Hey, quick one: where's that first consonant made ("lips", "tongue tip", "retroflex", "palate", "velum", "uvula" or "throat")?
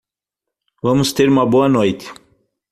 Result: lips